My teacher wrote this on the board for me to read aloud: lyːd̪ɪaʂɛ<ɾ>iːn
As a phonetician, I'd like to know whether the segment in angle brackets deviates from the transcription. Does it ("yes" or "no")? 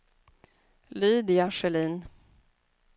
yes